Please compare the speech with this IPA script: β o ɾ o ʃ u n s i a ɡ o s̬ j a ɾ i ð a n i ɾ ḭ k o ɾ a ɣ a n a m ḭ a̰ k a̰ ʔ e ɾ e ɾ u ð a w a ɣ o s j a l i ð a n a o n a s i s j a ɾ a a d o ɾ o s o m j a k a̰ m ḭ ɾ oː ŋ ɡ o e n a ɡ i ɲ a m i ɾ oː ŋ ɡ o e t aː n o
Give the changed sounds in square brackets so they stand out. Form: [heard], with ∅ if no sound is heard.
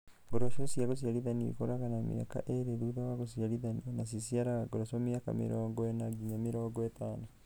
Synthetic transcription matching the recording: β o ɾ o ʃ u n s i a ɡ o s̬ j a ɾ i ð a n i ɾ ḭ k o ɾ a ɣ a n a m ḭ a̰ k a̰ ʔ e ɾ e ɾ u ð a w a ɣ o s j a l i ð a n [i] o n a s i s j a ɾ a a [ɡ] o ɾ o s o m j a k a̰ m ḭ ɾ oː ŋ ɡ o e n a ɡ i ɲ a m i ɾ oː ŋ ɡ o e t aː n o